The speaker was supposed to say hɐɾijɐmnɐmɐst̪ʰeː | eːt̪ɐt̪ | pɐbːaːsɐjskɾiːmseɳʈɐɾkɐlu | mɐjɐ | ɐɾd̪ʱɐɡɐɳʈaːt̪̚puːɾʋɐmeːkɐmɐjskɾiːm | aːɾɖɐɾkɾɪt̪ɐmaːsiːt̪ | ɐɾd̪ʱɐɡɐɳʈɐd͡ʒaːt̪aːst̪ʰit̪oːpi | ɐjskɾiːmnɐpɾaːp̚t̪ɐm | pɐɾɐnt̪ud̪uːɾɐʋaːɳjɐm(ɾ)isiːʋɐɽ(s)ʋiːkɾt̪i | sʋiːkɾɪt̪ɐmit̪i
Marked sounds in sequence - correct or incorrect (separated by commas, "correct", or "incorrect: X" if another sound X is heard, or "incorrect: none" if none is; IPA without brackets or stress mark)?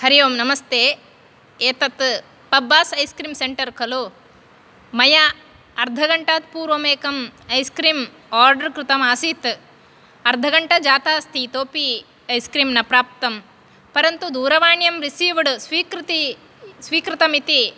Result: correct, correct